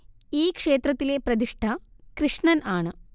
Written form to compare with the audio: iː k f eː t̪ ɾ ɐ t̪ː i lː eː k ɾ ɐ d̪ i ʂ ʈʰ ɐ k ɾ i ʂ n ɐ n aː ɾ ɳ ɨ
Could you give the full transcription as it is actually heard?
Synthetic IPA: iː k ʂ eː t̪ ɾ ɐ t̪ː i l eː p ɾ ɐ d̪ i ʂ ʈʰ ɐ k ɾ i ʂ ɳ ɐ n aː ɳ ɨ